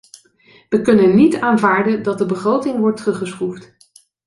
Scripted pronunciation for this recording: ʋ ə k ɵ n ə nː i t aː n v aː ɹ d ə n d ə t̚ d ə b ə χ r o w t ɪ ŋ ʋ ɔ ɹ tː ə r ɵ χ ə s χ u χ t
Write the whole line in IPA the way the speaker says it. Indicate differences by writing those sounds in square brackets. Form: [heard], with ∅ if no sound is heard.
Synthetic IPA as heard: ʋ ə k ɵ n ə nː i t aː n v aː ɹ d ə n d [ɑ] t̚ d ə b ə χ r o w t ɪ ŋ ʋ ɔ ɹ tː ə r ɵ χ ə s χ u [f] t